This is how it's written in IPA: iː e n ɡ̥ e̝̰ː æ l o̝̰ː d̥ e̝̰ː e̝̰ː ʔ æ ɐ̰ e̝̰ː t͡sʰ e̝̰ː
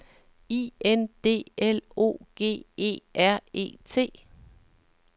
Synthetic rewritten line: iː e n d̥ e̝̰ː e l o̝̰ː ɡ̥ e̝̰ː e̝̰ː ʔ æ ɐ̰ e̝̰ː t͡sʰ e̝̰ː